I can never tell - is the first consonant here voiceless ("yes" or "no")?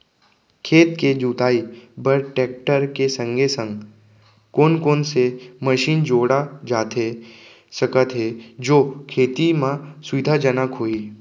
yes